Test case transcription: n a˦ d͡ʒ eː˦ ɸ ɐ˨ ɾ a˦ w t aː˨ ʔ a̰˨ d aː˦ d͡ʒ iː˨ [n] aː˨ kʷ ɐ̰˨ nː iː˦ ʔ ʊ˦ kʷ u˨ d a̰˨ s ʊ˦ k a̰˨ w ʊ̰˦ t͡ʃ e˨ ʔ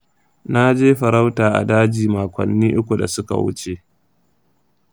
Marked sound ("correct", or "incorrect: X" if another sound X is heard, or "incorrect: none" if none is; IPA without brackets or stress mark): incorrect: m